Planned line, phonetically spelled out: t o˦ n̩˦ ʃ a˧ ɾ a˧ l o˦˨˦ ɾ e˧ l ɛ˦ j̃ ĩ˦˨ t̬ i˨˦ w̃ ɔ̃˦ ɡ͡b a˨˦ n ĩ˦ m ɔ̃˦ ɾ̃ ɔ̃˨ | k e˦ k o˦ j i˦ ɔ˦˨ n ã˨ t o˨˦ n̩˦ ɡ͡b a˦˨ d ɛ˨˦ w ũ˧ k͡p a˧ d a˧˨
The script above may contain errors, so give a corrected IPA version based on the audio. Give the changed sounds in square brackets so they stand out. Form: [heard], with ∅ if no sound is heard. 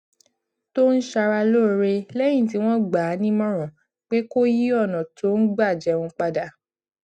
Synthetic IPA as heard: t o˦ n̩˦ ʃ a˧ ɾ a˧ l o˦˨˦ ɾ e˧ l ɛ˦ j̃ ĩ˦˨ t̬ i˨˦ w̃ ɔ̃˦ ɡ͡b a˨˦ n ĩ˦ m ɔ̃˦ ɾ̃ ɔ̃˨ | [k͡p] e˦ k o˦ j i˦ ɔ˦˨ n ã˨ t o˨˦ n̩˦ ɡ͡b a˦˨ [d͡ʒ] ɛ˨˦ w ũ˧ k͡p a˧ d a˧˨